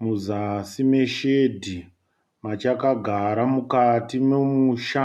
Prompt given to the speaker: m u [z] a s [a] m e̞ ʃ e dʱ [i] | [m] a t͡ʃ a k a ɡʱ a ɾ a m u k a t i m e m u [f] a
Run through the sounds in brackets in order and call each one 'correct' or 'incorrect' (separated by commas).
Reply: correct, incorrect, correct, correct, incorrect